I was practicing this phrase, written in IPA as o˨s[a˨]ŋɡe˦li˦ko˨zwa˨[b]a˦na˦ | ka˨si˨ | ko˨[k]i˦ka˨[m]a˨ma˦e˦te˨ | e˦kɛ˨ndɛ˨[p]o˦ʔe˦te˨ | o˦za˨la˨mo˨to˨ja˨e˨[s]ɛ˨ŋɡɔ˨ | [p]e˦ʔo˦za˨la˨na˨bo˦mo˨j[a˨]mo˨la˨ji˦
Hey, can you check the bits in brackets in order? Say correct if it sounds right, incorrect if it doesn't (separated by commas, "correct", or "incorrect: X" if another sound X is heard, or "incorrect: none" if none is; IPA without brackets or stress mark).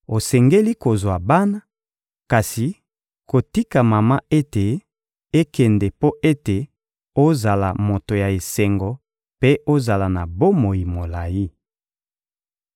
incorrect: ɛ˨, correct, incorrect: t, correct, correct, correct, correct, incorrect: i˨